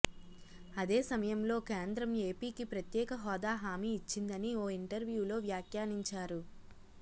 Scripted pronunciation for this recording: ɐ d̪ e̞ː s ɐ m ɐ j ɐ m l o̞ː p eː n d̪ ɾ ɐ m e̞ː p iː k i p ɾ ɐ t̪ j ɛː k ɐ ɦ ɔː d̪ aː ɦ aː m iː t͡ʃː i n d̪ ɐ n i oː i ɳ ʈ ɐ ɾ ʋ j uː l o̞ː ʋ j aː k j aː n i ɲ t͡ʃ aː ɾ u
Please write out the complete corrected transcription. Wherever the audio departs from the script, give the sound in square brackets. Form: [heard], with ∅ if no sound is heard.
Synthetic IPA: ɐ d̪ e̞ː s ɐ m ɐ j ɐ m l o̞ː [k] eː n d̪ ɾ ɐ m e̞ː p iː k i p ɾ ɐ t̪ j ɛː k ɐ ɦ ɔː d̪ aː ɦ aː m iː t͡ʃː i n d̪ ɐ n i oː i ɳ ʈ ɐ ɾ ʋ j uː l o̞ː ʋ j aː k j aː n i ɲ t͡ʃ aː ɾ u

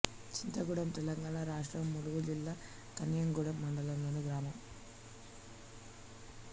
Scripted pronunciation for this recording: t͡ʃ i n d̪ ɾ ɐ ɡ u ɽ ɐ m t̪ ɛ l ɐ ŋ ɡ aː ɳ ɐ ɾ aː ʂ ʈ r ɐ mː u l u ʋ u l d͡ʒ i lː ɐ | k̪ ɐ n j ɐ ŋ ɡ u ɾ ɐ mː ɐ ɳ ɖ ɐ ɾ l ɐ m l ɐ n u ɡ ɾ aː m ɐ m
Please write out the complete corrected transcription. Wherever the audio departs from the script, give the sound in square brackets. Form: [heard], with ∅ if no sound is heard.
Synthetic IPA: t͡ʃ i n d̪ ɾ ɐ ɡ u ɽ ɐ m t̪ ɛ l ɐ ŋ ɡ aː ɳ ɐ ɾ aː ʂ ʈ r ɐ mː u l u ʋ u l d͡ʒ i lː ɐ | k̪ ɐ n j ɐ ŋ ɡ u [ɽ] ɐ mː ɐ ɳ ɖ ɐ [∅] l ɐ m l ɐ n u ɡ ɾ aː m ɐ m

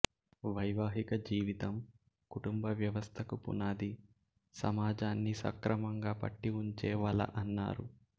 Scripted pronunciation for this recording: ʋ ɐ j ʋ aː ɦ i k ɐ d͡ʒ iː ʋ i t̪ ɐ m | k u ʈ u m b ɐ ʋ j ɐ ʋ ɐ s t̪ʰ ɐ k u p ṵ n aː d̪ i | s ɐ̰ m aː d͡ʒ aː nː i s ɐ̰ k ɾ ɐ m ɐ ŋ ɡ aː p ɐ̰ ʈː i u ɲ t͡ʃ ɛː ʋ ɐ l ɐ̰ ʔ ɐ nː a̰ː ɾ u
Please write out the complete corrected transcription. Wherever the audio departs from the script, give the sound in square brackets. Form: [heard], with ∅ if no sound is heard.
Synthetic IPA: ʋ ɐ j ʋ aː ɦ i k ɐ d͡ʒ iː ʋ i t̪ ɐ m | k u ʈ u m b ɐ ʋ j ɐ ʋ ɐ s t̪ʰ ɐ k u p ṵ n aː d̪ i | s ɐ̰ m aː d͡ʒ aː nː i s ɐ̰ k ɾ ɐ m ɐ ŋ ɡ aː p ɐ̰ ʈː i u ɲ t͡ʃ ɛː ʋ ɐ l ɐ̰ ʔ ɐ nː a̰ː ɾ u

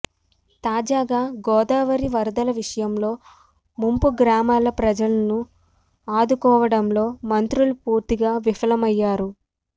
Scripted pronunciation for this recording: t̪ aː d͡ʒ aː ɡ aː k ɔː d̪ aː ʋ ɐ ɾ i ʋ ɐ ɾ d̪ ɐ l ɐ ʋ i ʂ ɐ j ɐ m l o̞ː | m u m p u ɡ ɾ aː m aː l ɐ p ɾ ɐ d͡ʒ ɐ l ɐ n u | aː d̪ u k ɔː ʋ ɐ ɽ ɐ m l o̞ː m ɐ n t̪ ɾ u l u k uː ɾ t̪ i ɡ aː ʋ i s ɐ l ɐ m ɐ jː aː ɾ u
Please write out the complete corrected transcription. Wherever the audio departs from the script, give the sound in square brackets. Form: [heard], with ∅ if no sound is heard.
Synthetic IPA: t̪ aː d͡ʒ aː ɡ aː [ɡ] ɔː d̪ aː ʋ ɐ ɾ i ʋ ɐ ɾ d̪ ɐ l ɐ ʋ i ʂ ɐ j ɐ m l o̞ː | m u m p u ɡ ɾ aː m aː l ɐ p ɾ ɐ d͡ʒ ɐ l ɐ n u | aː d̪ u k ɔː ʋ ɐ ɽ ɐ m l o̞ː m ɐ n t̪ ɾ u l u [p] uː ɾ t̪ i ɡ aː ʋ i [f] ɐ l ɐ m ɐ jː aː ɾ u

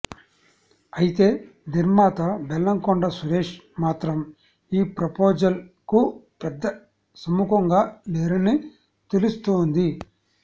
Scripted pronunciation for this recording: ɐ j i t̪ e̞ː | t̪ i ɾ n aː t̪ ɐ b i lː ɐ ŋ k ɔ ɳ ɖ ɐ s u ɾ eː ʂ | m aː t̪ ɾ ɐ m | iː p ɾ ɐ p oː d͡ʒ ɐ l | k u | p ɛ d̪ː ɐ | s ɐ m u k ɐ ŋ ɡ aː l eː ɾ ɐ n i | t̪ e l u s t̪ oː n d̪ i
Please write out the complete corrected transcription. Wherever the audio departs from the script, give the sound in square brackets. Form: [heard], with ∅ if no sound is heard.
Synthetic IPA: ɐ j i t̪ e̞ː | [d̪] i ɾ [m] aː t̪ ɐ b [ɛ] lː ɐ ŋ k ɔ ɳ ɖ ɐ s u ɾ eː ʂ | m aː t̪ ɾ ɐ m | iː p ɾ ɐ p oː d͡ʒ ɐ l | k u | p ɛ d̪ː ɐ | s ɐ m u k ɐ ŋ ɡ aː l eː ɾ ɐ n i | t̪ e l u s t̪ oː n d̪ i

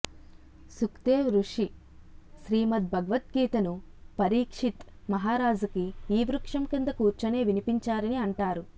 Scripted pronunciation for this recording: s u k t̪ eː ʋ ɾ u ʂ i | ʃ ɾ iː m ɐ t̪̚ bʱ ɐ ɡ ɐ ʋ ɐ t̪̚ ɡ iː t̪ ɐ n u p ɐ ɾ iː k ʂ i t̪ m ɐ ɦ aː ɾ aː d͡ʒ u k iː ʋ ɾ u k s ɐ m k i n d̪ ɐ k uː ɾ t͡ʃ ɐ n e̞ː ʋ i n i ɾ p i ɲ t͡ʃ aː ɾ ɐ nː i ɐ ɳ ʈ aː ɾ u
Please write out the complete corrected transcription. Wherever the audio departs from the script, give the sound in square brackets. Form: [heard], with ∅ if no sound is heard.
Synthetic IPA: s u k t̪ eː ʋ ɾ u ʂ i | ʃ ɾ iː m ɐ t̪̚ bʱ ɐ ɡ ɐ ʋ ɐ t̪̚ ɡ iː t̪ ɐ n u p ɐ ɾ iː k ʂ i t̪ m ɐ ɦ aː ɾ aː d͡ʒ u k iː ʋ ɾ u k [ʂ] ɐ m k i n d̪ ɐ k uː ɾ t͡ʃ ɐ n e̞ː ʋ i n i [∅] p i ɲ t͡ʃ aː ɾ ɐ [n] i ɐ ɳ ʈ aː ɾ u

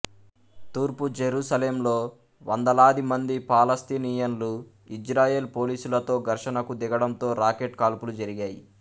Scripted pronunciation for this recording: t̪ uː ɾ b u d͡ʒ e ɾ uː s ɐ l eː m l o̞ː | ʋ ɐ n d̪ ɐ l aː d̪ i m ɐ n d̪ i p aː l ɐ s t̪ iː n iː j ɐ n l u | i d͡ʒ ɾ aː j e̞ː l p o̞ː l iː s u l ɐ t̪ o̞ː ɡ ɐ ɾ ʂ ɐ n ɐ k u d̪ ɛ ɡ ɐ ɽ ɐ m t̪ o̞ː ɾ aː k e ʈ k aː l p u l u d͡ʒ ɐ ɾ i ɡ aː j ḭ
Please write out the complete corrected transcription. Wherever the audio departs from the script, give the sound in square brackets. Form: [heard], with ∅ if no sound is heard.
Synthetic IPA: t̪ uː ɾ [p] u d͡ʒ e ɾ uː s ɐ l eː m l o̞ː | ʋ ɐ n d̪ ɐ l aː d̪ i m ɐ n d̪ i p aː l ɐ s t̪ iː n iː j ɐ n l u | i d͡ʒ ɾ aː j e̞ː l p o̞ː l iː s u l ɐ t̪ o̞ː ɡ ɐ ɾ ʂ ɐ n ɐ k u d̪ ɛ ɡ ɐ ɽ ɐ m t̪ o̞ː ɾ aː k e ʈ k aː l p u l u d͡ʒ ɐ ɾ i ɡ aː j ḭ

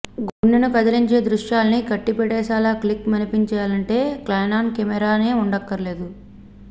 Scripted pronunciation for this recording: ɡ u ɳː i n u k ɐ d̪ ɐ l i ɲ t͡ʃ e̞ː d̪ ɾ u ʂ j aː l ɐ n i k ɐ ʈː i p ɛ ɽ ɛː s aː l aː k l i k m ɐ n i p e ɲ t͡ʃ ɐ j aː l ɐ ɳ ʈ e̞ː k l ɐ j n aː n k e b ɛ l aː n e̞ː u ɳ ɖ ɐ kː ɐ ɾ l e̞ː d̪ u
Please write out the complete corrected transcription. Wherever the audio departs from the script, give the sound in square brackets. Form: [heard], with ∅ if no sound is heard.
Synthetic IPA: ɡ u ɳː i n u k ɐ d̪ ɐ l i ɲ t͡ʃ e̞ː d̪ ɾ u ʂ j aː l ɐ n i k ɐ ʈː i p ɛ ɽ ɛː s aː l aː k l i k m ɐ n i p [i] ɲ t͡ʃ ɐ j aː l ɐ ɳ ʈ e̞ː k l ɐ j n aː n k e [m] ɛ [ɾ] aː n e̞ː u ɳ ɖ ɐ kː ɐ ɾ l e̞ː d̪ u

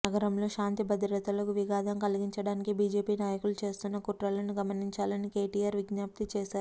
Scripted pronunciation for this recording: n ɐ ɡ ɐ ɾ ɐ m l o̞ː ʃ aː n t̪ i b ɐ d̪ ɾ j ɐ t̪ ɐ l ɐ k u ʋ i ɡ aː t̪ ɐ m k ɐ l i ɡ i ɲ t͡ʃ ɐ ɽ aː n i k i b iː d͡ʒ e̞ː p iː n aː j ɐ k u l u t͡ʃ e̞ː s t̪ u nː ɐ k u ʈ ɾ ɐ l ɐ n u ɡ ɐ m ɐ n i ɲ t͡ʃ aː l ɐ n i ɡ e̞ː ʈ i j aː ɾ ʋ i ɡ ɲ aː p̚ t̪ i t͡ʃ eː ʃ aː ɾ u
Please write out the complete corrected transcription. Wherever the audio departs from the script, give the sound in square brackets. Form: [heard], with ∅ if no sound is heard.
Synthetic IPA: n ɐ ɡ ɐ ɾ ɐ m l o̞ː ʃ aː n t̪ i b ɐ d̪ ɾ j ɐ t̪ ɐ l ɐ k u ʋ i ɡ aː [d̪] ɐ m k ɐ l i ɡ i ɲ t͡ʃ ɐ ɽ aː n i k i b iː d͡ʒ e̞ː p iː n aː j ɐ k u l u t͡ʃ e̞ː s t̪ u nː ɐ k u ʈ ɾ ɐ l ɐ n u ɡ ɐ m ɐ n i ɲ t͡ʃ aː l ɐ n i [k] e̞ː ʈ i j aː ɾ ʋ i ɡ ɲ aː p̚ t̪ i t͡ʃ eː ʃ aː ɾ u

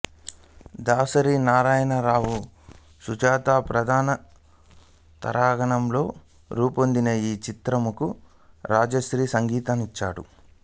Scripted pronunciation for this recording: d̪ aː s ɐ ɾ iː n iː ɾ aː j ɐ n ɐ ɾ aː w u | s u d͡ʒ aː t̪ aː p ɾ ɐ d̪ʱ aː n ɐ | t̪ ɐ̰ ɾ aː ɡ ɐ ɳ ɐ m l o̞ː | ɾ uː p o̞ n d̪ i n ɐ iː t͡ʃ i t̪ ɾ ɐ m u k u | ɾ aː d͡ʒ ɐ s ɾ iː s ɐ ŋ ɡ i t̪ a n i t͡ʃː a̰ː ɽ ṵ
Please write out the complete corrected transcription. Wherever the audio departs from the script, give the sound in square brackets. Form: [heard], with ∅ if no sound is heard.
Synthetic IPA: d̪ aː s ɐ ɾ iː n [aː] ɾ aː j ɐ n ɐ ɾ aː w u | s u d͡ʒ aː t̪ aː p ɾ ɐ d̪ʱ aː n ɐ | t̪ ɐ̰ ɾ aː ɡ ɐ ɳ ɐ m l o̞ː | ɾ uː p o̞ n d̪ i n ɐ iː t͡ʃ i t̪ ɾ ɐ m u k u | ɾ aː d͡ʒ ɐ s ɾ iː s ɐ ŋ ɡ [iː] t̪ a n i t͡ʃː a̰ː ɽ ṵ

